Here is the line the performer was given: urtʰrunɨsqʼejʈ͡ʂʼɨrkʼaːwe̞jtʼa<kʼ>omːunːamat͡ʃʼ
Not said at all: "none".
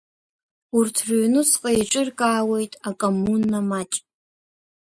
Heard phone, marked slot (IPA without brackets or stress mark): kʼ